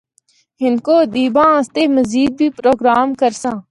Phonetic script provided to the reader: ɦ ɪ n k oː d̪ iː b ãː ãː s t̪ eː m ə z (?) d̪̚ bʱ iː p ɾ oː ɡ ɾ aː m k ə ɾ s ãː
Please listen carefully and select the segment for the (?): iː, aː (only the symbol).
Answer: iː